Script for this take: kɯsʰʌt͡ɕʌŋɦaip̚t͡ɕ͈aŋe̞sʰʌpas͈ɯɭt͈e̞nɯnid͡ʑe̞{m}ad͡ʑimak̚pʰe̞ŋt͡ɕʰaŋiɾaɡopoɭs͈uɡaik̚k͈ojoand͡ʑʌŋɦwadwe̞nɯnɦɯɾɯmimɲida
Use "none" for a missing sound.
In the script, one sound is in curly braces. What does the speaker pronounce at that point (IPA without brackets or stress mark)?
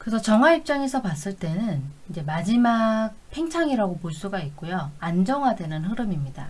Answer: m